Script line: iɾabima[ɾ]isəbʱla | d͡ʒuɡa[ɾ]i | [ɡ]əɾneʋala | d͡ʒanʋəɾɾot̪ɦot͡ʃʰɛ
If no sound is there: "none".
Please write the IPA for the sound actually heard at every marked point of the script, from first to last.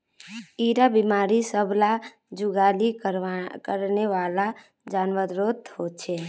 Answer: ɾ, l, k

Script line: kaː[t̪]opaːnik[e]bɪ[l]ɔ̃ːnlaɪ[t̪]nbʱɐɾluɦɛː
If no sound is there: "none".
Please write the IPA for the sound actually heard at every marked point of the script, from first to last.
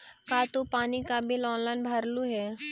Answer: t̪, a, l, none

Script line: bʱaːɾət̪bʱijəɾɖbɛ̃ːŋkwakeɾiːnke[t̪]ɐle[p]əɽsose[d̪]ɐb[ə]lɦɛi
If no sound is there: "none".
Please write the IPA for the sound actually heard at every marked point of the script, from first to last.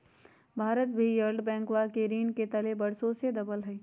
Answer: t̪, b, d̪, ə

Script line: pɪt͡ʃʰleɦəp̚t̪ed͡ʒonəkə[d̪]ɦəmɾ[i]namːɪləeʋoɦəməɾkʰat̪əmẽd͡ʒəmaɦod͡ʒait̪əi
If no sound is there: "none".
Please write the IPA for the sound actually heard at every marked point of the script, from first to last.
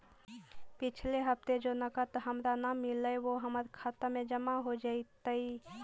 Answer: t̪, a

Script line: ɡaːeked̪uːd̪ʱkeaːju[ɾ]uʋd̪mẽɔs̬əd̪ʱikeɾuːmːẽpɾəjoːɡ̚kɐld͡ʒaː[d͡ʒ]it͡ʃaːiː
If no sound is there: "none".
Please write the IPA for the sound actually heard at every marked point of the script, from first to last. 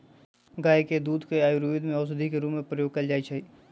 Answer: ɾ, none

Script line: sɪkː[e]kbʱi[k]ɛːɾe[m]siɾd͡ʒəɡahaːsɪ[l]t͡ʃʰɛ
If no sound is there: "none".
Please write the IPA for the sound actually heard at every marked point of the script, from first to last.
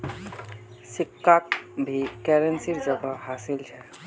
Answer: a, k, n, l

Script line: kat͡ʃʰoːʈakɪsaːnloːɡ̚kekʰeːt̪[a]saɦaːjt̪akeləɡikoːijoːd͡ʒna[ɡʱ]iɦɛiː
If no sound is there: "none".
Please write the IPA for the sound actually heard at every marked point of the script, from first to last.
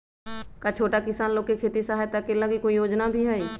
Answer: i, bʱ

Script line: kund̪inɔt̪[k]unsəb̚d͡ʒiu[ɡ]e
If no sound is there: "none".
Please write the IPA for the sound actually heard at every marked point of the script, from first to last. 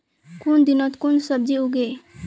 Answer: k, ɡ

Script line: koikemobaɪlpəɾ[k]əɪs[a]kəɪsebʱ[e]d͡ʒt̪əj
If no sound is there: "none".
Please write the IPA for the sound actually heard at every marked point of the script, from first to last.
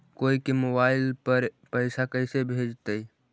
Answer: p, a, e

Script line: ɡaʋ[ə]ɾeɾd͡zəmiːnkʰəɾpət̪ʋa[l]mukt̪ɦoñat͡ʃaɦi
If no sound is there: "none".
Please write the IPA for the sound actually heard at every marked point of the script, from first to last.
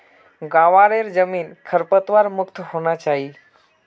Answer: a, ɾ

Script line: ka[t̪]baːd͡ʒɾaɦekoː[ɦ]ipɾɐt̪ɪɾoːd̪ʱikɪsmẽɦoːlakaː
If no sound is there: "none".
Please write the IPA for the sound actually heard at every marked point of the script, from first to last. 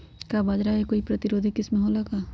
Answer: none, none

